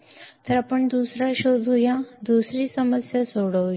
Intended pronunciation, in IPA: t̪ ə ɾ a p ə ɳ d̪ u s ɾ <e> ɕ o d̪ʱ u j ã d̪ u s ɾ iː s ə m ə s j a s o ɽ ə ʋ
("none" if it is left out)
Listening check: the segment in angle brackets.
a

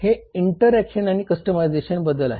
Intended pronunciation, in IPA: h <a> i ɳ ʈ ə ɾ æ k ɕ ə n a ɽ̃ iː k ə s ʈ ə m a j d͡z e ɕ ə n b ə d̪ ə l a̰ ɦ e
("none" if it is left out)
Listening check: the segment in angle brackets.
e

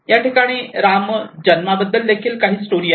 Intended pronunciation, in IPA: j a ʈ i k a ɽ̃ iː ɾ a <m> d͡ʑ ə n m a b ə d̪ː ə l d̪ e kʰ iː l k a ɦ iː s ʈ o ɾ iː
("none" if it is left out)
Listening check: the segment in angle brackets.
m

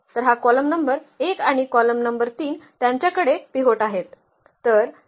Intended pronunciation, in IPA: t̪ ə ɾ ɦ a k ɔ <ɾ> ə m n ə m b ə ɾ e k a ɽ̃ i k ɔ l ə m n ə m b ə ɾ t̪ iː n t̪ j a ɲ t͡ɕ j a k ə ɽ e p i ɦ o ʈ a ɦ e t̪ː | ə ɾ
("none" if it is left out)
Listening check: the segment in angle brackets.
l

